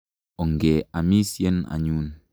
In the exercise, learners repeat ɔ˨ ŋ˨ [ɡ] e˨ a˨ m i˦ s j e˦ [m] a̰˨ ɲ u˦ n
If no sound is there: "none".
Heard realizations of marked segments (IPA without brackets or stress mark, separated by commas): ɡ, n